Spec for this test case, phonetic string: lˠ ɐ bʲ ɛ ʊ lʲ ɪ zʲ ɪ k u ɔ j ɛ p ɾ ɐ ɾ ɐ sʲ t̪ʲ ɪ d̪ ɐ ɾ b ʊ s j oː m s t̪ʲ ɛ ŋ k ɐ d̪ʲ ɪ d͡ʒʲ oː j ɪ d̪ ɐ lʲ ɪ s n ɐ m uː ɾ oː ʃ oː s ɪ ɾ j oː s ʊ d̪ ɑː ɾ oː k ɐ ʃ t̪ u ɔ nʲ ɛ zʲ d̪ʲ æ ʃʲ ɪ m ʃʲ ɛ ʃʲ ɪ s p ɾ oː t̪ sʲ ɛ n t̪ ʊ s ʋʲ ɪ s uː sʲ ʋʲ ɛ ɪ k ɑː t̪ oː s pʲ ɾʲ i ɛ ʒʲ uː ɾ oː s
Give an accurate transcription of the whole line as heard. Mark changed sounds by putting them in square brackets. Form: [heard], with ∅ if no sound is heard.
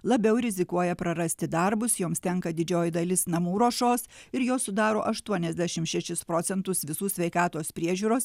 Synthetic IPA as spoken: lˠ ɐ bʲ ɛ ʊ [ɾʲ] ɪ zʲ ɪ k u ɔ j ɛ p ɾ ɐ ɾ ɐ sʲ t̪ʲ ɪ d̪ ɐ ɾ b ʊ s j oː m s t̪ʲ ɛ ŋ k ɐ d̪ʲ ɪ d͡ʒʲ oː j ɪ d̪ ɐ lʲ ɪ s n ɐ m uː ɾ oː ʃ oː s ɪ ɾ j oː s ʊ d̪ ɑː ɾ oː [ʔ] ɐ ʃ t̪ u ɔ nʲ ɛ zʲ d̪ʲ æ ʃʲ ɪ m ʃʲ ɛ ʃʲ ɪ s p ɾ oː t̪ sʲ ɛ n t̪ ʊ s ʋʲ ɪ s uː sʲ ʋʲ ɛ ɪ k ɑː t̪ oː s pʲ ɾʲ i ɛ ʒʲ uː ɾ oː s